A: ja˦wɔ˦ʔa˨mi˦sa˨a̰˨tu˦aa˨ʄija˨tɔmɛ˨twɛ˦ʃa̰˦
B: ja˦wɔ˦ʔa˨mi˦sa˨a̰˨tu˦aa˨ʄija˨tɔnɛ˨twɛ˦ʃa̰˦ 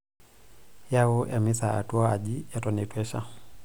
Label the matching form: B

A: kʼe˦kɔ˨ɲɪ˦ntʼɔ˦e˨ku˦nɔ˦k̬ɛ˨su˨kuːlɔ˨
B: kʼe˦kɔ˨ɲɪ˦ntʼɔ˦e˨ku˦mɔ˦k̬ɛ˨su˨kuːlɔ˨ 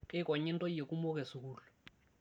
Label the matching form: B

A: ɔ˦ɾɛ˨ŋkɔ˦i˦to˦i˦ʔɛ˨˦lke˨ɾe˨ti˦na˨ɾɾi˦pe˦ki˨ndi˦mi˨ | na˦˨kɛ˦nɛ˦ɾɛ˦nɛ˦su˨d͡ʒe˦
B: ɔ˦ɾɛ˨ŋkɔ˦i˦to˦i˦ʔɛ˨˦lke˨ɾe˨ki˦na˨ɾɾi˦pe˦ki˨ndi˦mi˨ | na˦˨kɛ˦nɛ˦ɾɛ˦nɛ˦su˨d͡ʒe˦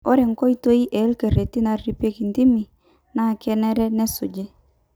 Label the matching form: A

